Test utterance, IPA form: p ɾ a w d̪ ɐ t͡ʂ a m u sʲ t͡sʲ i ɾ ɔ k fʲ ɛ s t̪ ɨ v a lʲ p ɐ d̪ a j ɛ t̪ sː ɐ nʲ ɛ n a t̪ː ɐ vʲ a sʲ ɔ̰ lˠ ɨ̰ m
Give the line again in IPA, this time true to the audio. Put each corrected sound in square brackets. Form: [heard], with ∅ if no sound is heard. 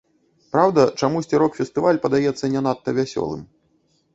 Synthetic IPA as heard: p ɾ a w d̪ ɐ t͡ʂ a m u sʲ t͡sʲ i ɾ ɔ k fʲ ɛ s t̪ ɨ v a lʲ p ɐ d̪ a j ɛ t̪ sː ɐ nʲ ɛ n a t̪ː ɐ vʲ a sʲ ɔ̰ lˠ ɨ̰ m